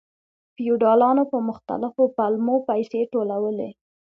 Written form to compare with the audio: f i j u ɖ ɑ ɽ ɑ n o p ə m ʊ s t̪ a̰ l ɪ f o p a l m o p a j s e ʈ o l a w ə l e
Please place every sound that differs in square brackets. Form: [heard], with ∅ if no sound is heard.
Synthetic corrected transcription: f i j u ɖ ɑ [l] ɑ n o p ə m ʊ [x] t̪ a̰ l ɪ f o p a l m o p a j s e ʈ o l a w ə l e